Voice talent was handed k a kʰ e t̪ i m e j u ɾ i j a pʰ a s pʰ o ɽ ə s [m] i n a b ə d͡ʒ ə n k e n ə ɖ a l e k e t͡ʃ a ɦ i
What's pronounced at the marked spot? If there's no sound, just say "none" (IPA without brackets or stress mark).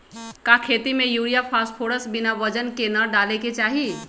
b